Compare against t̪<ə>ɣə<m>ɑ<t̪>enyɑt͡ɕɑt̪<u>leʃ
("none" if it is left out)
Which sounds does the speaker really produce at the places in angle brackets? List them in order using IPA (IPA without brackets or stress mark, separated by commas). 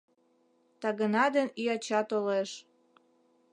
ɑ, n, d̪, o